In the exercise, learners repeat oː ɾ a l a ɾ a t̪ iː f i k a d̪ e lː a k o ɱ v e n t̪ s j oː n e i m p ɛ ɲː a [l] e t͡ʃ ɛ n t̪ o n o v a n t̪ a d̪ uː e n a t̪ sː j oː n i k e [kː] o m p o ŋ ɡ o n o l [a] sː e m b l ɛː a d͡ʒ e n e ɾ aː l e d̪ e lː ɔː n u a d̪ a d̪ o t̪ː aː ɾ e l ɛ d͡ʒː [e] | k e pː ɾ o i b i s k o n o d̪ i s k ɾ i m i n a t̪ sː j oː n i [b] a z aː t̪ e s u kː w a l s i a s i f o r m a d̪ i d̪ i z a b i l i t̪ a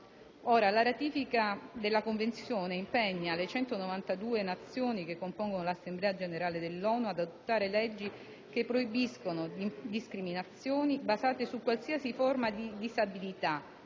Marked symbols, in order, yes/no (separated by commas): yes, yes, yes, no, yes